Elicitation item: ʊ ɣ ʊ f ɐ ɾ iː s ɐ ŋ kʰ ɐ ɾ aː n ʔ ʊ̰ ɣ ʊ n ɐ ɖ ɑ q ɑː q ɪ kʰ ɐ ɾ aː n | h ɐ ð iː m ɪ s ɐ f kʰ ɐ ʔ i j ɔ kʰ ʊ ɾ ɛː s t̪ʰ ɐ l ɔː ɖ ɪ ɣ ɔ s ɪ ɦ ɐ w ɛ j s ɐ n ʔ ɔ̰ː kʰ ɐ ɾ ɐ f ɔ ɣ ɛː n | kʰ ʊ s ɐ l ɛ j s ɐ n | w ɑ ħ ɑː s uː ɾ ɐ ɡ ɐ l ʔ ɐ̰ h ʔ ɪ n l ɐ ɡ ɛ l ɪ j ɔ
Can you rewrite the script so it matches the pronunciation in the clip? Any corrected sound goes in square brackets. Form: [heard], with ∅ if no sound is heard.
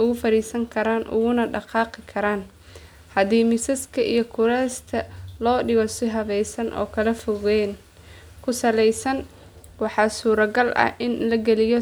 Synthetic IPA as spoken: ʊ ɣ ʊ f ɐ ɾ iː s ɐ ŋ kʰ ɐ ɾ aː n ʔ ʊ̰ ɣ ʊ n ɐ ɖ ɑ q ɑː q ɪ kʰ ɐ ɾ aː n | h ɐ ð iː m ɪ s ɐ [s] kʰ ɐ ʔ i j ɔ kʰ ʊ ɾ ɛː s t̪ʰ ɐ l ɔː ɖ ɪ ɣ ɔ s ɪ ɦ ɐ [β] ɛ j s ɐ n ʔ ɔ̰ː kʰ ɐ [l] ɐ f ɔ ɣ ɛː n | kʰ ʊ s ɐ l ɛ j s ɐ n | w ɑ ħ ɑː s uː ɾ ɐ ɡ ɐ l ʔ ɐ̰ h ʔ ɪ n l ɐ ɡ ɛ l ɪ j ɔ